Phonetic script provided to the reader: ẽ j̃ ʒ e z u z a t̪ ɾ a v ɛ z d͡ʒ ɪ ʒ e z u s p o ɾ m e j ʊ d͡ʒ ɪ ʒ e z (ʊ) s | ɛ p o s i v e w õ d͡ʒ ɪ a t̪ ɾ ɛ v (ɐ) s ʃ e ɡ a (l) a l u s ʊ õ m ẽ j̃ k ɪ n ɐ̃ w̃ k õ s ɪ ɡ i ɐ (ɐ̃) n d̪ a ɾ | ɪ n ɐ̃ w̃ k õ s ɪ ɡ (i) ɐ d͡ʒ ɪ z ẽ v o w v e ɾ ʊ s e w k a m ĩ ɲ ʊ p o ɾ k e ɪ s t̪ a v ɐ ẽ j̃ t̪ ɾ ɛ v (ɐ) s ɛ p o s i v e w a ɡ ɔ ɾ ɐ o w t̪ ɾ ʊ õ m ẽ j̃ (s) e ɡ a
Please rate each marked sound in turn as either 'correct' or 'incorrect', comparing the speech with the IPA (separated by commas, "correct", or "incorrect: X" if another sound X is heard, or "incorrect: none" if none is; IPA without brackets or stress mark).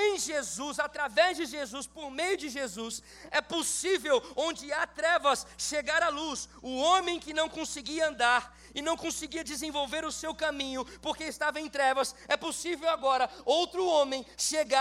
incorrect: u, correct, incorrect: ɾ, correct, correct, correct, incorrect: ʃ